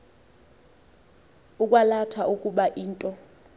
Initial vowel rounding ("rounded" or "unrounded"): rounded